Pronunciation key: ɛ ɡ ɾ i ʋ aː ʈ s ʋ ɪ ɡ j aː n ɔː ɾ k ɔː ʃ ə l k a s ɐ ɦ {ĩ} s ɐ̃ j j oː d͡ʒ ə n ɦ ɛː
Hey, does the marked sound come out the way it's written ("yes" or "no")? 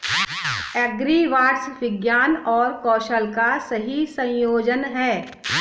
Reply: no